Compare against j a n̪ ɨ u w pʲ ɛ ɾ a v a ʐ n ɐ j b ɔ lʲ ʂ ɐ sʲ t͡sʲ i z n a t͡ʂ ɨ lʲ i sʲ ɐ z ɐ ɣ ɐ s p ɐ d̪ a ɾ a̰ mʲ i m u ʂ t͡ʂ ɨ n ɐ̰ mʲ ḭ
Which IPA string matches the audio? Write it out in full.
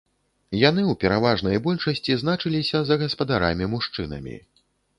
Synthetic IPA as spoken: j a n̪ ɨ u w pʲ ɛ ɾ a v a ʐ n ɐ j b ɔ lʲ ʂ ɐ sʲ t͡sʲ i z n a t͡ʂ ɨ lʲ i sʲ ɐ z ɐ ɣ ɐ s p ɐ d̪ a ɾ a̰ mʲ i m u ʂ t͡ʂ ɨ n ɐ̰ mʲ ḭ